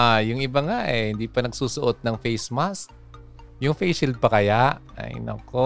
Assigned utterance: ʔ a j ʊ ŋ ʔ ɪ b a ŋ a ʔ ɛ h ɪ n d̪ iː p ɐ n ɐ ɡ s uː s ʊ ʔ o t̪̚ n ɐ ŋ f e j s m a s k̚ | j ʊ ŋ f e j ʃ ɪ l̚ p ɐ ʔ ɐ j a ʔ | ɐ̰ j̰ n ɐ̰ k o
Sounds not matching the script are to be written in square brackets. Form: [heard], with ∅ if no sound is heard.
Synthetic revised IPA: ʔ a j ʊ ŋ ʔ ɪ b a ŋ a ʔ ɛ h ɪ n d̪ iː p ɐ n ɐ ɡ s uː s ʊ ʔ o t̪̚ n ɐ ŋ f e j s m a s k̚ | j ʊ ŋ f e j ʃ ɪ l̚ p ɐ [k] ɐ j a ʔ | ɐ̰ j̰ n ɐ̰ k o